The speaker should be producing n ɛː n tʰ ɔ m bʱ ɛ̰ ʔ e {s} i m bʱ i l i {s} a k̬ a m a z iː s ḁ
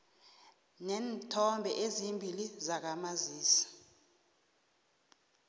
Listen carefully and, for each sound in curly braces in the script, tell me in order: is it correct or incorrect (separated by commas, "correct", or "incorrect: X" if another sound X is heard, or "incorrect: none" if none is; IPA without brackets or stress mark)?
incorrect: z, incorrect: z